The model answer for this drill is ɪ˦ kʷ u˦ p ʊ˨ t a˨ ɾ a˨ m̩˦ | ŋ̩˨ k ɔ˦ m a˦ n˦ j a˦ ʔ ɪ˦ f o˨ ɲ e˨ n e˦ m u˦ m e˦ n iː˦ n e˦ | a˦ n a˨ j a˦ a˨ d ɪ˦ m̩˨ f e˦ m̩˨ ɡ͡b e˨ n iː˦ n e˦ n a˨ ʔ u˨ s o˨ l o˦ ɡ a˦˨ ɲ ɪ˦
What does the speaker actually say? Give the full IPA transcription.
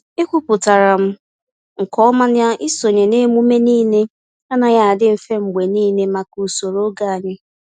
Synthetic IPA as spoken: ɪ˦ kʷ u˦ p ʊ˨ t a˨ ɾ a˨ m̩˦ | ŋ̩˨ k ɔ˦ m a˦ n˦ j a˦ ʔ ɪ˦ s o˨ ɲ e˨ n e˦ m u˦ m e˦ n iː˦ n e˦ | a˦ n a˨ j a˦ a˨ d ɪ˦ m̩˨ f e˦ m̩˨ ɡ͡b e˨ n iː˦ n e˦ m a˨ k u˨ s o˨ ɾ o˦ ɡ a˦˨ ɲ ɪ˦